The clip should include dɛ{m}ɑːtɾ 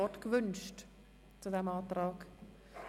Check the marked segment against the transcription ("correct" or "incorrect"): correct